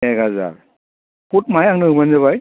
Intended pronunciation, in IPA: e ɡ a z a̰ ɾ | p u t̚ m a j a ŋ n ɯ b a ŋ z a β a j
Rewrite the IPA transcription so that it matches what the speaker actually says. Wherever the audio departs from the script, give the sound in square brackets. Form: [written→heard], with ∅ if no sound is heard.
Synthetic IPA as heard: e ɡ a z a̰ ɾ | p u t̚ m a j a ŋ n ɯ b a [ŋ→n] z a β a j